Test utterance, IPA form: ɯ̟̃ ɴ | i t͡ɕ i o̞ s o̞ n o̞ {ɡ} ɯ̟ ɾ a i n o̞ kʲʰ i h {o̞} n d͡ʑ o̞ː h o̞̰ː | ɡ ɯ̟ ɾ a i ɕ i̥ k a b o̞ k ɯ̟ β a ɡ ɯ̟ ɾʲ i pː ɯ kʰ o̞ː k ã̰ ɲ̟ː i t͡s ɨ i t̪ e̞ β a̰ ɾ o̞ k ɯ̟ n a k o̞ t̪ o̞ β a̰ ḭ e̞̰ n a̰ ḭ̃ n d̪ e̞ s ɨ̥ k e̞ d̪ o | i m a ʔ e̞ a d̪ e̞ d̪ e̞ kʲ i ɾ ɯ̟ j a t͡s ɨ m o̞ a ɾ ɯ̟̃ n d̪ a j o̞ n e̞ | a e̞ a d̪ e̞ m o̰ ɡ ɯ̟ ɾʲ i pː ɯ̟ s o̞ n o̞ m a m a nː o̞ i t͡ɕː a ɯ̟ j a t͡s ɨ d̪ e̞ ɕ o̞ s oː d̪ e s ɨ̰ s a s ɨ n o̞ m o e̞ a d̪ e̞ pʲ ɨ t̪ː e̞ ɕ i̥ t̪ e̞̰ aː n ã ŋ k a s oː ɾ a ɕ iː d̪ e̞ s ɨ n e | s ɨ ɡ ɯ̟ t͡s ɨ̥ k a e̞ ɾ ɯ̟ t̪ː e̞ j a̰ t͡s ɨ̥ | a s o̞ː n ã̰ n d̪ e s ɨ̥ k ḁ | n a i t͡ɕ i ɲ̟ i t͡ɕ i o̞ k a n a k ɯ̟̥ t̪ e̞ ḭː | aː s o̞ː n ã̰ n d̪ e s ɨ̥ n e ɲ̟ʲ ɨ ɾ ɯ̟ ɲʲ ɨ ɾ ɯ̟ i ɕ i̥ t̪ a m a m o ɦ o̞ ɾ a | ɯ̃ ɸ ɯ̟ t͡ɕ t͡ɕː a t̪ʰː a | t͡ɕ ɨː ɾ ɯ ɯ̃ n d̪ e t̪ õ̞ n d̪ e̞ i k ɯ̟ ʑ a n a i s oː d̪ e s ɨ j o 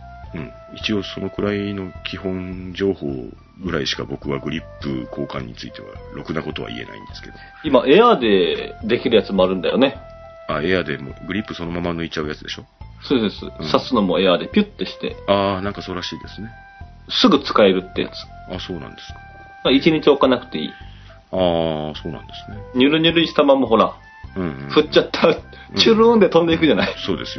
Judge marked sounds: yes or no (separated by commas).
no, no